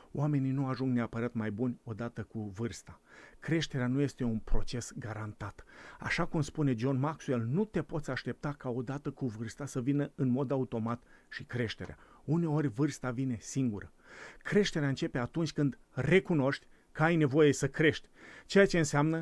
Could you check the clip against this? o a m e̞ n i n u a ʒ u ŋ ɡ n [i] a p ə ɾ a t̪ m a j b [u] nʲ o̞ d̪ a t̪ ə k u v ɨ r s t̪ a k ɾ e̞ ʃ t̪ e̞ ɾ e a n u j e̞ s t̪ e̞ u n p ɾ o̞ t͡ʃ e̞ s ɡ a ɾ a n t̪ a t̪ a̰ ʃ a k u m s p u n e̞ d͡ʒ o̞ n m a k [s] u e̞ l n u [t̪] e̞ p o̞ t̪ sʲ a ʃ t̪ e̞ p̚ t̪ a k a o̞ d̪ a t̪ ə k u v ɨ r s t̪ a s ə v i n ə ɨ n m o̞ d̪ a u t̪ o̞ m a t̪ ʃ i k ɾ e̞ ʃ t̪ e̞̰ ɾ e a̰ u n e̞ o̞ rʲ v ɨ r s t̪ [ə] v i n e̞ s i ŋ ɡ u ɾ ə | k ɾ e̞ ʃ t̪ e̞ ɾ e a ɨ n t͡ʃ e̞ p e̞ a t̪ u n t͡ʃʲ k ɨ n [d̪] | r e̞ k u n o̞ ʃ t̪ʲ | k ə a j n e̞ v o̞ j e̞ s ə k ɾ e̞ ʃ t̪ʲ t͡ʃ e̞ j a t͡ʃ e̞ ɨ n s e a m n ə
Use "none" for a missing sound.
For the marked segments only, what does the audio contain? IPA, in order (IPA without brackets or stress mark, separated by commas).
e, u, s, t̪, a, d̪